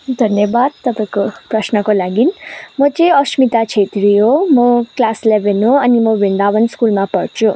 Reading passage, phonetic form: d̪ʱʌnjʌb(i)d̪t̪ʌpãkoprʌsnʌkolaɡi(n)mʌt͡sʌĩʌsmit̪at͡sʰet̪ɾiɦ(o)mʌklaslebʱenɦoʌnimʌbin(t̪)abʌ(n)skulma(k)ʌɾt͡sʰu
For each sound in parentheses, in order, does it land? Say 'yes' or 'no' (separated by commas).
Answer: no, yes, yes, no, yes, no